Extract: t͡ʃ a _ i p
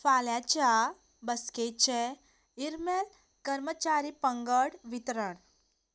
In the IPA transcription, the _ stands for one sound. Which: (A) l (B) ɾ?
B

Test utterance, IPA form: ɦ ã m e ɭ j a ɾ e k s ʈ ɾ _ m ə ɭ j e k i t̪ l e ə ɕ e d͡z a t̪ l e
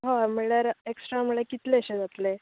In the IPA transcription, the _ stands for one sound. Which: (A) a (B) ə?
A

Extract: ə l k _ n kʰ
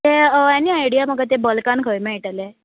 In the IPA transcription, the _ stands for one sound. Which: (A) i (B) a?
B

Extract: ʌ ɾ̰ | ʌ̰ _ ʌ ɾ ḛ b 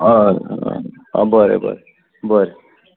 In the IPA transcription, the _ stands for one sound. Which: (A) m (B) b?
B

